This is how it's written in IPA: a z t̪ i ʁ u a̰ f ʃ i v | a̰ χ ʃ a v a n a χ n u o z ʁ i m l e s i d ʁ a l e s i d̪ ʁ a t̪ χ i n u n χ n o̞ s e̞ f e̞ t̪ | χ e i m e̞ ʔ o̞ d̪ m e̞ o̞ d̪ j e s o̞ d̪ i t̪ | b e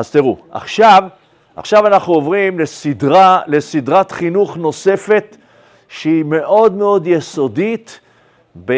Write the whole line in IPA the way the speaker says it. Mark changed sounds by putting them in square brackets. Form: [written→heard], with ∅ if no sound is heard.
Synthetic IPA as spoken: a z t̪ i ʁ u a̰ [f→χ] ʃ [i→a] v | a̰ χ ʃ a v a n a χ n u o [z→v] ʁ i m l e s i d ʁ a l e s i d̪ ʁ a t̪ χ i n u [n→∅] χ n o̞ s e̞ f e̞ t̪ | [χ→ʃ] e i m e̞ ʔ o̞ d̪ m e̞ o̞ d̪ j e s o̞ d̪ i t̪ | b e